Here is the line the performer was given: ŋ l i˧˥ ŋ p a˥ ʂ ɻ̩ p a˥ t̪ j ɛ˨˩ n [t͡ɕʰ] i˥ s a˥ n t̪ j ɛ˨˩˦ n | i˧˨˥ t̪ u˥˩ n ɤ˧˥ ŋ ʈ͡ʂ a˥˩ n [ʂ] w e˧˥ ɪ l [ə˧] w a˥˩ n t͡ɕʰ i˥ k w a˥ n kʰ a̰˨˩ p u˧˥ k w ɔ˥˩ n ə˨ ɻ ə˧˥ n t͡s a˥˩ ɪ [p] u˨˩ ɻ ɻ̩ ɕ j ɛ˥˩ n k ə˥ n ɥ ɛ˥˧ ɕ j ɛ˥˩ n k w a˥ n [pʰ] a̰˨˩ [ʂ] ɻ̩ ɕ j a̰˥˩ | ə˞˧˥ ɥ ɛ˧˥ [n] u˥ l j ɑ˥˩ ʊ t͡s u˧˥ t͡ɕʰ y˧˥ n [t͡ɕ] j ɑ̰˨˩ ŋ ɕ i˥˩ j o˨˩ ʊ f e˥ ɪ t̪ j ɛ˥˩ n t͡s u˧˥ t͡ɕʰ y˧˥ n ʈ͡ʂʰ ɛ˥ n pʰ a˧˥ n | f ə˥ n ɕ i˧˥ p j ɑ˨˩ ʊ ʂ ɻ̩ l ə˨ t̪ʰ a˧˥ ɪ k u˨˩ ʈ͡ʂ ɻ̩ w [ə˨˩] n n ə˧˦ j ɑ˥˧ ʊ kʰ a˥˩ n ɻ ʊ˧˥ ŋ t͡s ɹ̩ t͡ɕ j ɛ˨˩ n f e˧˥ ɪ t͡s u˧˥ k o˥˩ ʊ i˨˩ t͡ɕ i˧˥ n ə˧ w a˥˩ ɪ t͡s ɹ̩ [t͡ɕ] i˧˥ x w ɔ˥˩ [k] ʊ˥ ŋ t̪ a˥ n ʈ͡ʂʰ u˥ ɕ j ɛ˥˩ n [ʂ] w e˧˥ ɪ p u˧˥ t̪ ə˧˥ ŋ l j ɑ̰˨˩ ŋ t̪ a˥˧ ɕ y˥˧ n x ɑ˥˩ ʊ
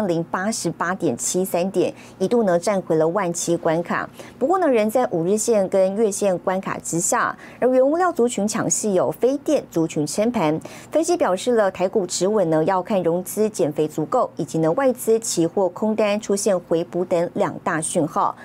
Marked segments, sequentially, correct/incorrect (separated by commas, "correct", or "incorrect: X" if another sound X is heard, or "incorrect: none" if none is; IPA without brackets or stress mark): correct, incorrect: x, correct, incorrect: ʔ, incorrect: kʰ, incorrect: ʈ͡ʂ, correct, incorrect: t͡ɕʰ, correct, incorrect: t͡ɕʰ, incorrect: kʰ, incorrect: x